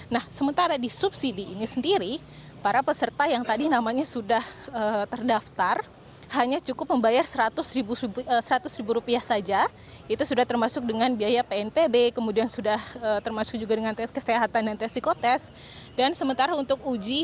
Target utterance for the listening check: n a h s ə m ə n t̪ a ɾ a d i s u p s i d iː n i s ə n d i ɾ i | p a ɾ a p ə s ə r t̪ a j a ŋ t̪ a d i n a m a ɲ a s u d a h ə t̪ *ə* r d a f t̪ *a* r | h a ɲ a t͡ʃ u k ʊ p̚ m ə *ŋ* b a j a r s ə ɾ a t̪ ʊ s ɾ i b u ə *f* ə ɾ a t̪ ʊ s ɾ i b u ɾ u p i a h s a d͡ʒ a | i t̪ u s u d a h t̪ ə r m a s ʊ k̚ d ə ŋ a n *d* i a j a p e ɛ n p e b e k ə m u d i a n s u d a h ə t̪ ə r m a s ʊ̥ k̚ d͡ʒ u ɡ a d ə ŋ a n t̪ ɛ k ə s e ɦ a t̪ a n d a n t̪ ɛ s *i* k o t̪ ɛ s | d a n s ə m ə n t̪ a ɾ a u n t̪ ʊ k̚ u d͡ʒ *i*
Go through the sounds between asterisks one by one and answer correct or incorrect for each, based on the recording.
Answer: correct, correct, incorrect: m, incorrect: s, incorrect: b, correct, correct

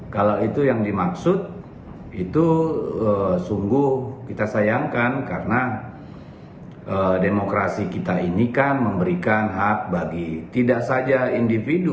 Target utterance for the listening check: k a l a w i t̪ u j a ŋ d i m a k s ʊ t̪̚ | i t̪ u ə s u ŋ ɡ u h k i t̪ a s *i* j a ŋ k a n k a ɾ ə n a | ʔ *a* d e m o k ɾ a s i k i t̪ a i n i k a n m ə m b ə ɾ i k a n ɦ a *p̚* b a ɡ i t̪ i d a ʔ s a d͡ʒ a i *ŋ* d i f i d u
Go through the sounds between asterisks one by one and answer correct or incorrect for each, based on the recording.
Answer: incorrect: a, incorrect: ə, incorrect: k̚, incorrect: n

